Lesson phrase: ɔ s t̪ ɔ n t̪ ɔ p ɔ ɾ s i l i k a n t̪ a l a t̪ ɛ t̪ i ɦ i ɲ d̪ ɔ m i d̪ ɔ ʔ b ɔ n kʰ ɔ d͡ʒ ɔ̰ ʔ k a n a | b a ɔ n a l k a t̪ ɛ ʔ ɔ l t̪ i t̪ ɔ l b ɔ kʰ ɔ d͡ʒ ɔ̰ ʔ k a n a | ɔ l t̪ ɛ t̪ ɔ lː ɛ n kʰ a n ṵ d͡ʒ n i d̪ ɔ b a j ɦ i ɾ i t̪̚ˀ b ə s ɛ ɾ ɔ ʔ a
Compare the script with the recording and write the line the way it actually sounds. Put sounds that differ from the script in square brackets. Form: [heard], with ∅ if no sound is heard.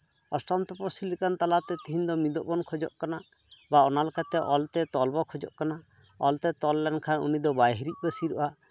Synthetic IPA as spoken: ɔ s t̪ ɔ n t̪ ɔ p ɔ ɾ s i l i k a n t̪ a l a t̪ ɛ t̪ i ɦ i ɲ d̪ ɔ m i d̪ ɔ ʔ b ɔ n kʰ ɔ d͡ʒ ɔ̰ ʔ k a n a | b a ɔ n a l k a t̪ ɛ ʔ ɔ l t̪ [ɛ] t̪ ɔ l b ɔ kʰ ɔ d͡ʒ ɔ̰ ʔ k a n a | ɔ l t̪ ɛ t̪ ɔ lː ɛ n kʰ a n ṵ [∅] n i d̪ ɔ b a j ɦ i ɾ i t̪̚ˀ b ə s [i] ɾ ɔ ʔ a